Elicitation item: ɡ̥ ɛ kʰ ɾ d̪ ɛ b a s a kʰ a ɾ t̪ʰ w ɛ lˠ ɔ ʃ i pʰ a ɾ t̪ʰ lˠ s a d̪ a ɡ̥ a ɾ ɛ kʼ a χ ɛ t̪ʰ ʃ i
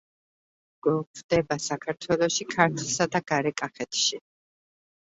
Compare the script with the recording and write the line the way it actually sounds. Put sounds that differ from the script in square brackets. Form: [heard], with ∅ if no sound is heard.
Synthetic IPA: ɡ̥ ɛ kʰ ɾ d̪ ɛ b a s a kʰ a ɾ t̪ʰ w ɛ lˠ ɔ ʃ i [kʰ] a ɾ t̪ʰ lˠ s a d̪ a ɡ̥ a ɾ ɛ kʼ a χ ɛ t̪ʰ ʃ i